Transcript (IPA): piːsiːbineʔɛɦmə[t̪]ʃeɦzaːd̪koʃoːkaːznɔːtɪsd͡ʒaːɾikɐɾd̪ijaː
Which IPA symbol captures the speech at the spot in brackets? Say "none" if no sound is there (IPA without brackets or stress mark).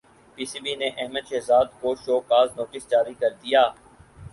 d̪